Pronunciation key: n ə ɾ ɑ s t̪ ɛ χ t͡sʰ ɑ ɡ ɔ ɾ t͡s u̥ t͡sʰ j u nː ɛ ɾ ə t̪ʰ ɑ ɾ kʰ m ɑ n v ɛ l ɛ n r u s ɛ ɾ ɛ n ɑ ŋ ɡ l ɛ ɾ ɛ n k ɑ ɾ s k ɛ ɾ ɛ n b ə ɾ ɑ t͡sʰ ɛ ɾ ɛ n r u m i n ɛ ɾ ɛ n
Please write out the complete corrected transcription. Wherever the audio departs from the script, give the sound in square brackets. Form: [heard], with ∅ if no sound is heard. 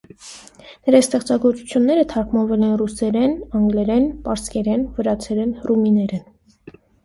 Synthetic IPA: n ə ɾ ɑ s t̪ ɛ χ [t͡s] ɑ ɡ ɔ ɾ t͡s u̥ t͡sʰ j u nː ɛ ɾ ə t̪ʰ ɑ ɾ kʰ m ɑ n v ɛ l ɛ n r u s ɛ ɾ ɛ n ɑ ŋ ɡ l ɛ ɾ ɛ n [p] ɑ ɾ s k ɛ ɾ ɛ n [v] ə ɾ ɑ t͡sʰ ɛ ɾ ɛ n r u m i n ɛ ɾ ɛ n